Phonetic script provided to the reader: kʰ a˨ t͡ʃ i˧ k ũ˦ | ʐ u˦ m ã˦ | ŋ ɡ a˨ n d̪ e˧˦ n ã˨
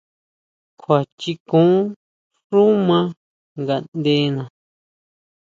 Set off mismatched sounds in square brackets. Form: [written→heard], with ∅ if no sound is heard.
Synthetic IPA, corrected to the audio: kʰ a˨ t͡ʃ i˧ k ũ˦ | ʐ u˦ m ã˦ | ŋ ɡ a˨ n d̪ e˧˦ n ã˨